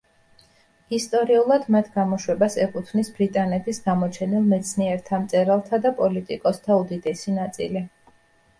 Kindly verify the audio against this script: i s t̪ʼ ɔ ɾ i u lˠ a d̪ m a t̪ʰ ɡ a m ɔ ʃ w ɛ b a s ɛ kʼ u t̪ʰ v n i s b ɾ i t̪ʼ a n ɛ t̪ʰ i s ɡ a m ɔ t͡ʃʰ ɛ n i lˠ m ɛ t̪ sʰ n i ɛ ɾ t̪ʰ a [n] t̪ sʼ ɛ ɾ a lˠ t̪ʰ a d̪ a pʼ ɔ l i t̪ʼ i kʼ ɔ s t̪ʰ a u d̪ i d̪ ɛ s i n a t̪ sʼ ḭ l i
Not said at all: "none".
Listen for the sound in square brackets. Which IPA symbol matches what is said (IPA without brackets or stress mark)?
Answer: m